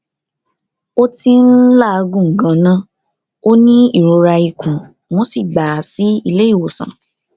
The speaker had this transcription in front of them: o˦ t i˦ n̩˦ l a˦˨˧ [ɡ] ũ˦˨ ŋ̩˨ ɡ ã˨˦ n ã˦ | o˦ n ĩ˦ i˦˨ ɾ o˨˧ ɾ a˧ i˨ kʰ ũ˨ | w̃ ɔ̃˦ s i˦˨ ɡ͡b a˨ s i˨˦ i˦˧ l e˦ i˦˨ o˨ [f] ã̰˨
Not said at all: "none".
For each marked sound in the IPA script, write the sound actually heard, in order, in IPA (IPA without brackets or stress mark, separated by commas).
ɡ, s